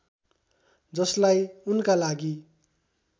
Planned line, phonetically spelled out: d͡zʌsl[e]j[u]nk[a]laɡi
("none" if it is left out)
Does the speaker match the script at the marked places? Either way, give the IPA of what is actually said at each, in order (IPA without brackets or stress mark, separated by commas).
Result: a, u, a